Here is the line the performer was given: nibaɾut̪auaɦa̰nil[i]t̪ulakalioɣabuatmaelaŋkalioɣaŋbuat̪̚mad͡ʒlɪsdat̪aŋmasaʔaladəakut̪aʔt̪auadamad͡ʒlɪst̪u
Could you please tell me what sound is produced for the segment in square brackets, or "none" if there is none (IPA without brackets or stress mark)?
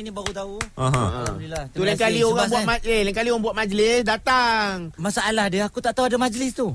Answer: a